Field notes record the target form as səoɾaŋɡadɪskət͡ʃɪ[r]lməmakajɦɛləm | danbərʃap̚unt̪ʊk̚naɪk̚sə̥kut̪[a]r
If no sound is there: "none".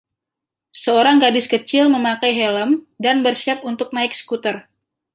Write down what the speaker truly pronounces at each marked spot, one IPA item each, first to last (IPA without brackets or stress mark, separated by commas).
none, ə